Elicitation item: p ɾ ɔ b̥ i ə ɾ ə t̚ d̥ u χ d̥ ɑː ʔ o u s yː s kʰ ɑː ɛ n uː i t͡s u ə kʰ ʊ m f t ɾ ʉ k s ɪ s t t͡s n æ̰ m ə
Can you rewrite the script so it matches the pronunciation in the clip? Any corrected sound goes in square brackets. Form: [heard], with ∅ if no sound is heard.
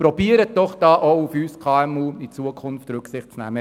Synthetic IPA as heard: p ɾ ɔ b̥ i ə ɾ ə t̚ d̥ [ɔ] χ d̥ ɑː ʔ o u [f] yː s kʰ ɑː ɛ [m] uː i t͡s u ə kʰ ʊ [n] f t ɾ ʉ k s ɪ [χ] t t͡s n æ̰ m ə

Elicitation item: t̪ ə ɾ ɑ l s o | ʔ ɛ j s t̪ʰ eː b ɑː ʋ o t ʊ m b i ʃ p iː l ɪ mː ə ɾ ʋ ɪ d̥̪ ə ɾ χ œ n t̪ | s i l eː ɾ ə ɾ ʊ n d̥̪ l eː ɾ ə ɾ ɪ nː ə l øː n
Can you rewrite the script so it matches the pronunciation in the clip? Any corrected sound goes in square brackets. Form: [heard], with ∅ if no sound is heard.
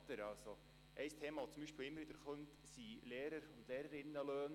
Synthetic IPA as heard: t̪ ə ɾ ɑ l s o | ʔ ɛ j s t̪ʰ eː [m] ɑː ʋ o [t͡s] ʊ m b i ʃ p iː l ɪ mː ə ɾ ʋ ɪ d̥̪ ə ɾ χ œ n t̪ | s i l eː ɾ ə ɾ ʊ n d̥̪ l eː ɾ ə ɾ ɪ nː ə l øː n

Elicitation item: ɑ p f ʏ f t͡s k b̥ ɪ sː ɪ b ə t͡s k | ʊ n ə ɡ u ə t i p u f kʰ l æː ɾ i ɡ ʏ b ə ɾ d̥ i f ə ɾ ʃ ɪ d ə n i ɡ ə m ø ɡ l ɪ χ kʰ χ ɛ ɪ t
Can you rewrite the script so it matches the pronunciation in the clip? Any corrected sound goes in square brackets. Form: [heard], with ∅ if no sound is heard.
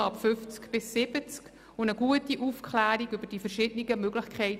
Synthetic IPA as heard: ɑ p f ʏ f t͡s k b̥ ɪ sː ɪ b ə t͡s k | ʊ n ə ɡ u ə t i [ʔ] u f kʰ l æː ɾ i ɡ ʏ b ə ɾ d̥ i f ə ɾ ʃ ɪ d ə n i ɡ ə m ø ɡ l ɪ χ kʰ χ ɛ ɪ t

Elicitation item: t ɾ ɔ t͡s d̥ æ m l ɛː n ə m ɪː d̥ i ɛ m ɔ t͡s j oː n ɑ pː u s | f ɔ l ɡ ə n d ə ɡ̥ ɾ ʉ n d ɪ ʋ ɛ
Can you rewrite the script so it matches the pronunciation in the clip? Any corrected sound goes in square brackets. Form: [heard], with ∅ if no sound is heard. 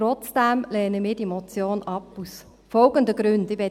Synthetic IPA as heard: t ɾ ɔ t͡s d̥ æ m l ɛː n ə m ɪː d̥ i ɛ m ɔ t͡s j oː n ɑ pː u s | f ɔ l ɡ ə n d ə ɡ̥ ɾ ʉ n d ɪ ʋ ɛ

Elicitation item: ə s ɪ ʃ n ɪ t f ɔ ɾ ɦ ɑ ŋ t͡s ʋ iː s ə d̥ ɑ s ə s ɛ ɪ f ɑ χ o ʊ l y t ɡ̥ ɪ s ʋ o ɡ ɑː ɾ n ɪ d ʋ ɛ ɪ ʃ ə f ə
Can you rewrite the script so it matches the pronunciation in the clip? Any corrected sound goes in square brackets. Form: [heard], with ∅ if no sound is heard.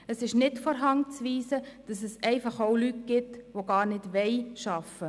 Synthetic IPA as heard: ə s ɪ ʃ n ɪ t f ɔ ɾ ɦ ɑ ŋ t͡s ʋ iː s ə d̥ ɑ s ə s ɛ ɪ f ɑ χ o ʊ l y t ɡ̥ ɪ [t] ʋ o ɡ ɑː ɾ n ɪ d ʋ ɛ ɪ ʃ [ɑ] f ə

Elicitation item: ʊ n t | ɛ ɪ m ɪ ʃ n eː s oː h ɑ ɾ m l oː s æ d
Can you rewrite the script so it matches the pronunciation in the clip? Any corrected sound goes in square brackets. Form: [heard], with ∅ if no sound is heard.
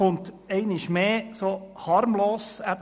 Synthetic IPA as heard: ʊ n t | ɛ ɪ [n] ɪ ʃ [m] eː s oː h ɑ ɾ m l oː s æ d

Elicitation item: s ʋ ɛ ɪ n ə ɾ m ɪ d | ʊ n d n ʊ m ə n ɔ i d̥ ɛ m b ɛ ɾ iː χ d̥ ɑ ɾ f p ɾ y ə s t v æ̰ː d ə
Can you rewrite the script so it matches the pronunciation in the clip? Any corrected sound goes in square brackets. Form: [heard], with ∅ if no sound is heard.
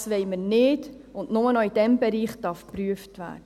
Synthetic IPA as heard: s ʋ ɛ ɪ [m] ə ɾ [n] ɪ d | ʊ n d n ʊ m ə n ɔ i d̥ ɛ m b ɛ ɾ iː χ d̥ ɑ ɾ f p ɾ y ə [f] t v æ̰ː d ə

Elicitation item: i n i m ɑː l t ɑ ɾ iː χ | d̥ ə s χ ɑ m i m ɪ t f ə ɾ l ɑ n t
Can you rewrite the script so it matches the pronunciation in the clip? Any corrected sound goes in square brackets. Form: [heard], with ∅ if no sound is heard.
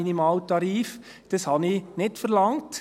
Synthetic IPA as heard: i n i m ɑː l t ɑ ɾ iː [f] | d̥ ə s [h] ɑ [n] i [n] ɪ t f ə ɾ l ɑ [ŋ] t

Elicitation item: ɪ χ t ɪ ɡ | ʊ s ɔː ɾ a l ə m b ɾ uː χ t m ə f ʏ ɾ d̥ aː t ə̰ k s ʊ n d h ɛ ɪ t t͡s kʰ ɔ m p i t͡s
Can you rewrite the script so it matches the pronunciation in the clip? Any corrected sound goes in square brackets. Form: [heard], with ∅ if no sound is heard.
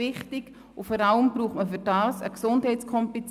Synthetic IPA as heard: ɪ χ t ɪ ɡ | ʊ [f] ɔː ɾ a l ə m b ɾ uː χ t m ə f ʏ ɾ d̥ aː [s] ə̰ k s ʊ n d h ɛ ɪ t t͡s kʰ ɔ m p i t͡s

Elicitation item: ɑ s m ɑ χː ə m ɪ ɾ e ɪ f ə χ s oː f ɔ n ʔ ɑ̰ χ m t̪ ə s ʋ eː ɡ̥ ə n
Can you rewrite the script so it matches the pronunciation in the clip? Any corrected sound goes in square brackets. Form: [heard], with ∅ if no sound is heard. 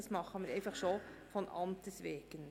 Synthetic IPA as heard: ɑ s m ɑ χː ə m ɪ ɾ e ɪ f [ɑ] χ [ʃ] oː f ɔ n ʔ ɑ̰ [∅] m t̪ ə s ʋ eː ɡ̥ ə n

